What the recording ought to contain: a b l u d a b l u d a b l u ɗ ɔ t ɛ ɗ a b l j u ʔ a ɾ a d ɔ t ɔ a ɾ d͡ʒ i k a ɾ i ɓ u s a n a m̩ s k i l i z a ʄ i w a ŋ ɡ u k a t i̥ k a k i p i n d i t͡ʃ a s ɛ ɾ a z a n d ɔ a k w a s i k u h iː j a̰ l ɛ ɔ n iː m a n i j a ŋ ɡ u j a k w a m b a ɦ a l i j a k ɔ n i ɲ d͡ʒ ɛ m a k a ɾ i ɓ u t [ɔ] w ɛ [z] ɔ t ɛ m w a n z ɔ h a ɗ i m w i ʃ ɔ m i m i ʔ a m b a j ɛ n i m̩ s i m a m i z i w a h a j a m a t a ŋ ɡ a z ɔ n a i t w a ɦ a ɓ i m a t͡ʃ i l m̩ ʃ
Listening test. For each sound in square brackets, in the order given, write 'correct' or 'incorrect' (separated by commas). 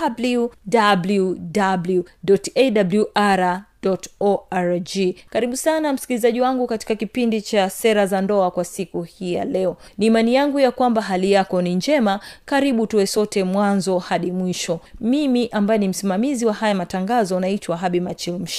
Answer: incorrect, incorrect